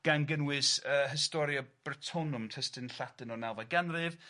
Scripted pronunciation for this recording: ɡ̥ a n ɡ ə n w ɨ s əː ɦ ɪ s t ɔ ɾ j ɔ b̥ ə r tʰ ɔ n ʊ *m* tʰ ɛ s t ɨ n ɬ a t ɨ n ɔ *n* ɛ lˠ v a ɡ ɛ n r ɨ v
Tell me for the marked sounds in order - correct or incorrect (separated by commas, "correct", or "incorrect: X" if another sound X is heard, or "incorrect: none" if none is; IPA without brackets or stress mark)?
correct, correct